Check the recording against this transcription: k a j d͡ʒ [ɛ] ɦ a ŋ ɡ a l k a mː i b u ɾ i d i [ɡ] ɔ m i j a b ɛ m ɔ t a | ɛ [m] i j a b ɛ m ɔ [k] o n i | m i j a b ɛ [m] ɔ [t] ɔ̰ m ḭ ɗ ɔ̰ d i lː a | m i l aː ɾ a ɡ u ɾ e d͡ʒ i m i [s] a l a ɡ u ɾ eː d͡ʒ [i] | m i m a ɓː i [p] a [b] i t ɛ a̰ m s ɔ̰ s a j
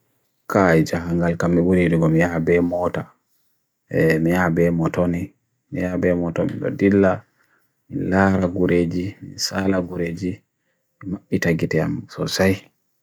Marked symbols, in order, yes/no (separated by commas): no, yes, yes, no, yes, yes, yes, yes, no, no